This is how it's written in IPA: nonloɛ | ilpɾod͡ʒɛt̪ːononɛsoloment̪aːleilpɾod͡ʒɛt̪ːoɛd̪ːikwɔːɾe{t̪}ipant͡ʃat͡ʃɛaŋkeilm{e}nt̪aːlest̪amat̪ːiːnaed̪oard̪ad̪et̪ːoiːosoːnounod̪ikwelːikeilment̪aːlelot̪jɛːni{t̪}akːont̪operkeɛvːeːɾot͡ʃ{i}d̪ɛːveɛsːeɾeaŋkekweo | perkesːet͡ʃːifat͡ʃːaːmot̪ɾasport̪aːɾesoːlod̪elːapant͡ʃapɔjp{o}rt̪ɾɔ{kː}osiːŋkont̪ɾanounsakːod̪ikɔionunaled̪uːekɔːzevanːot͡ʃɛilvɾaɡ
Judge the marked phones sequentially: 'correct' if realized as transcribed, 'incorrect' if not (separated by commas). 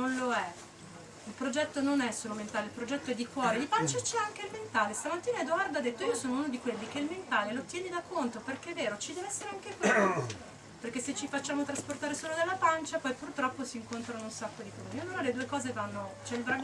incorrect, correct, incorrect, correct, incorrect, incorrect